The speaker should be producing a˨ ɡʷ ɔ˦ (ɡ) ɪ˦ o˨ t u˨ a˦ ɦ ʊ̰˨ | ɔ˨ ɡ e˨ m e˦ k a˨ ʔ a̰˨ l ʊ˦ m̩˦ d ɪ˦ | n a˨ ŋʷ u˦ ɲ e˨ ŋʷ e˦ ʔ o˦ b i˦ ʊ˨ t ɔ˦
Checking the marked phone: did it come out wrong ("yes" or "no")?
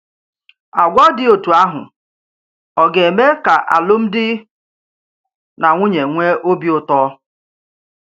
yes